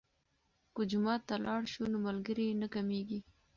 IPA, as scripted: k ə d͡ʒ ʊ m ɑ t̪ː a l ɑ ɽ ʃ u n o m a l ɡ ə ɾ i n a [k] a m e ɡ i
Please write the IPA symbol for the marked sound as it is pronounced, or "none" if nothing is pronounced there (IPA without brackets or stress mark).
k